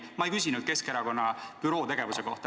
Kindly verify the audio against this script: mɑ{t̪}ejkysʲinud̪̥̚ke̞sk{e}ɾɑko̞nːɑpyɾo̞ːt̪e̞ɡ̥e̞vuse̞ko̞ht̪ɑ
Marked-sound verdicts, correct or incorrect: incorrect: none, correct

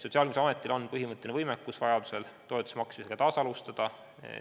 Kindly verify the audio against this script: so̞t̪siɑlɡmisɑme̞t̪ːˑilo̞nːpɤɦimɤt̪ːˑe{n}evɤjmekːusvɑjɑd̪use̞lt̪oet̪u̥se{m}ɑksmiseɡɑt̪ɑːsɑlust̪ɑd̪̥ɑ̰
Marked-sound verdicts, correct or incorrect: correct, correct

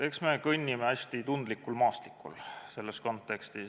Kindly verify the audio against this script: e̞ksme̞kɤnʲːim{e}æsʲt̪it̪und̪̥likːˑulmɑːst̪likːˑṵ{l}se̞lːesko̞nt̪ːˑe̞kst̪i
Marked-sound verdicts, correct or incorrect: correct, correct

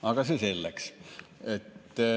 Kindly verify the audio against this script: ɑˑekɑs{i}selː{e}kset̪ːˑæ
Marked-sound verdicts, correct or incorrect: incorrect: e, incorrect: æ

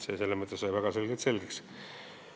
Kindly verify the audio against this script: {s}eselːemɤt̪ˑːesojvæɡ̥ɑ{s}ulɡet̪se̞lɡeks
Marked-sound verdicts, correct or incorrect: correct, correct

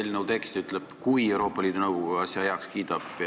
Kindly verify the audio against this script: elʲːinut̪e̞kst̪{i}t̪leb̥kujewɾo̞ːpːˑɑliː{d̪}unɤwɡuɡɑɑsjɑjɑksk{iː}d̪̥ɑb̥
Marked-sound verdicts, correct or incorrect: incorrect: y, correct, correct

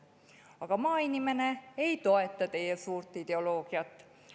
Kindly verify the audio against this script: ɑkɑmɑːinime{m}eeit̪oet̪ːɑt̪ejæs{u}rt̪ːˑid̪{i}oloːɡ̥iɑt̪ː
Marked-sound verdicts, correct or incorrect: incorrect: n, incorrect: uː, incorrect: e

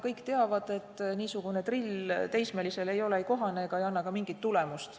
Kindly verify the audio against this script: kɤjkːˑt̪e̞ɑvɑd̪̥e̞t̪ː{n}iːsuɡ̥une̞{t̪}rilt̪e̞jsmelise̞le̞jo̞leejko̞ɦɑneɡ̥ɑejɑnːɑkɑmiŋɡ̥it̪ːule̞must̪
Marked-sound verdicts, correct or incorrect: correct, correct

